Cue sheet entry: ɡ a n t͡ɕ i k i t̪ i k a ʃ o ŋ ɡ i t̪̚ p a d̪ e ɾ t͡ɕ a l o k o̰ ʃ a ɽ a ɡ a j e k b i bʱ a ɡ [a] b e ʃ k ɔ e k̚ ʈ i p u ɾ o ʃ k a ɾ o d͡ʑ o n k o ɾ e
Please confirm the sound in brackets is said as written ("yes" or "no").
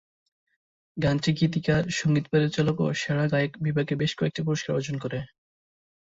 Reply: no